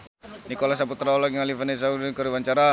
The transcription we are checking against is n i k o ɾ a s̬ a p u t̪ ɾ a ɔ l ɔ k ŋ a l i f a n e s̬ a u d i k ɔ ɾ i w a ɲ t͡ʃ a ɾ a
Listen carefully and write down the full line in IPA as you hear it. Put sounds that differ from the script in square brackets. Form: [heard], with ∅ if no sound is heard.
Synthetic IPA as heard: n i k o [l] a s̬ a p u t̪ ɾ a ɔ l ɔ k ŋ a l i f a n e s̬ a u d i k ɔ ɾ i w a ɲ t͡ʃ a ɾ a